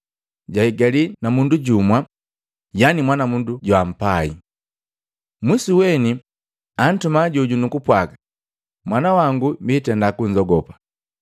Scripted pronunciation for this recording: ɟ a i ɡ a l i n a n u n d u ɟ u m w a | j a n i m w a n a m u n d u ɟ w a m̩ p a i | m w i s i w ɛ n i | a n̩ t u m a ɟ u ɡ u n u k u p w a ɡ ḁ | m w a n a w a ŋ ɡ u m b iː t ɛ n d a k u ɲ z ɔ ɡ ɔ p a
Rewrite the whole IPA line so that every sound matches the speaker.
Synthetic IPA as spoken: ɟ a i ɡ a l i n a m u n d u ɟ u m w a | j a n i m w a n a m u n d u ɟ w a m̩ p a i | m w i s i w ɛ n i | a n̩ t u m a ɟ u ɟ u n u k u p w a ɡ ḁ | m w a n a w a ŋ ɡ u m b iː t ɛ n d a k u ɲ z ɔ ɡ ɔ p a

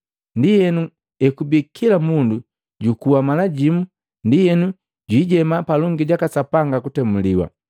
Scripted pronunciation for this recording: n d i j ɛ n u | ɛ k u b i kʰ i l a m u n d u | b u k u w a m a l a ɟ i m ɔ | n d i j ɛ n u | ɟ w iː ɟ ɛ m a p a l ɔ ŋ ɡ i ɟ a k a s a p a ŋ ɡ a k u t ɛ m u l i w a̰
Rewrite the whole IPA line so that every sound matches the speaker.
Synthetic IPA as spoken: n d i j ɛ n u | ɛ k u b i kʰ i l a m u n d u | ɟ u k u w a m a l a ɟ i m u | n d i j ɛ n u | ɟ w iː ɟ ɛ m a p a l ɔ ŋ ɡ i ɟ a k a s a p a ŋ ɡ a k u t ɛ m u l i w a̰

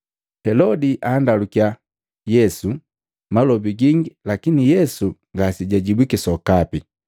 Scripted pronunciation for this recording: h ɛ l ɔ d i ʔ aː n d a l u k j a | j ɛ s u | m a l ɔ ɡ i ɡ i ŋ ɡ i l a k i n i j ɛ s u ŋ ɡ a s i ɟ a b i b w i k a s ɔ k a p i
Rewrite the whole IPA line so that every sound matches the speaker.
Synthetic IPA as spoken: h ɛ l ɔ d i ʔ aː n d a l u k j a | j ɛ s u | m a l ɔ b i ɡ i ŋ ɡ i l a k i n i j ɛ s u ŋ ɡ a s i ɟ a ɟ i b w i k i s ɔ k a p i

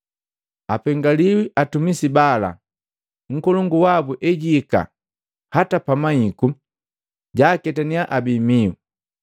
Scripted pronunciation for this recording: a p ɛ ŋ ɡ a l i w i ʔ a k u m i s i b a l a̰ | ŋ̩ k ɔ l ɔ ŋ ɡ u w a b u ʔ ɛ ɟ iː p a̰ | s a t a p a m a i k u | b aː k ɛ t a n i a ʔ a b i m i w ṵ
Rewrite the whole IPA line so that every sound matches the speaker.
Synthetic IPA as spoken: a p ɛ ŋ ɡ a l i w i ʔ a t u m i s i b a l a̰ | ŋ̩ k ɔ l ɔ ŋ ɡ u w a b u ʔ ɛ ɟ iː k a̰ | h a t a p a m a i k u | ɟ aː k ɛ t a n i a ʔ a b i m i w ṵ

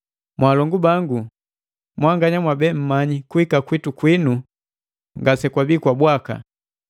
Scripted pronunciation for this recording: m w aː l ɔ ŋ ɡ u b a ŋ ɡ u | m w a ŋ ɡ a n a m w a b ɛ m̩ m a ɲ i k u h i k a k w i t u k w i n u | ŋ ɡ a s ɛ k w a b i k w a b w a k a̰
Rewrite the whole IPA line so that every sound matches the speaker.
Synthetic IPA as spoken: m w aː l ɔ ŋ ɡ u b a ŋ ɡ u | m w a ŋ ɡ a ɲ a m w a b ɛ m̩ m a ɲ i k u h i k a k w i t u k w i n u | ŋ ɡ a s ɛ k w a b i k w a b w a k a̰

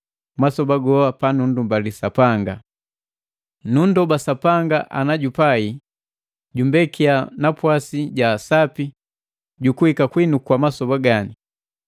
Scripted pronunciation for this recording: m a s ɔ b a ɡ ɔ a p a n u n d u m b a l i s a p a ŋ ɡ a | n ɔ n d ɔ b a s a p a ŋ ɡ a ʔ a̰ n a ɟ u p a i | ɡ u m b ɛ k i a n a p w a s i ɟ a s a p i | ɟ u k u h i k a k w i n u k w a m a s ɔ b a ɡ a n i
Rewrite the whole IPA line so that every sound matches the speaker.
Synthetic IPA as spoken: m a s ɔ b a ɡ ɔ a p a n u n d u m b a l i s a p a ŋ ɡ a | n u n d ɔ b a s a p a ŋ ɡ a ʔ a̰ n a ɟ u p a i | ɟ u m b ɛ k i a n a p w a s i ɟ a s a p i | ɟ u k u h i k a k w i n u k w a m a s ɔ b a ɡ a n i

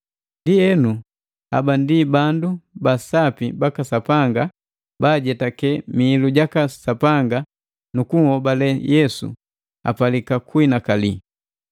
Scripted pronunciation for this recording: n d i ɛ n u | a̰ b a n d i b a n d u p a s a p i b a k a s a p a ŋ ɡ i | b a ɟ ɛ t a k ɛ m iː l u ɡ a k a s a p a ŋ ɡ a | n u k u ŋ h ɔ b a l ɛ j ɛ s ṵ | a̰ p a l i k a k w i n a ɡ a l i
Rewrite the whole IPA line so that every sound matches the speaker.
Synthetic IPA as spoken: n d i ɛ n u | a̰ b a n d i b a n d u b a s a p i b a k a s a p a ŋ ɡ a | b a ɟ ɛ t a k ɛ m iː l u ɟ a k a s a p a ŋ ɡ a | n u k u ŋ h ɔ b a l ɛ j ɛ s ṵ | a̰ p a l i k a k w i n a k a l i

